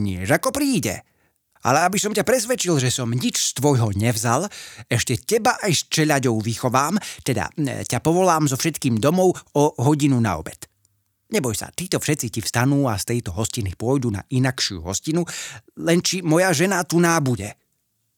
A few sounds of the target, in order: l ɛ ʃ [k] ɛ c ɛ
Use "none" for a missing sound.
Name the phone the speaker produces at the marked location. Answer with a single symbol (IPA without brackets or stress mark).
c